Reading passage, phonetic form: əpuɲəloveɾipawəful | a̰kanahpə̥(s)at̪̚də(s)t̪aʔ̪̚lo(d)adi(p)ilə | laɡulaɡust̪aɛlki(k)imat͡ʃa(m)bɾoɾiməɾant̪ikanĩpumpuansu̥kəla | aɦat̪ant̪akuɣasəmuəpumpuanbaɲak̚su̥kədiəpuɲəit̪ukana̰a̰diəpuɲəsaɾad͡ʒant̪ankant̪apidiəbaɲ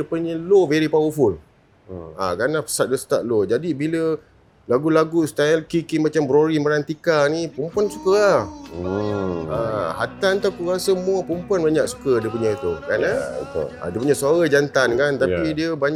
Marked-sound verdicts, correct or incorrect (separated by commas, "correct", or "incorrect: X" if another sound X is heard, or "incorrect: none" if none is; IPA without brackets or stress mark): correct, correct, incorrect: d͡ʒ, incorrect: b, correct, correct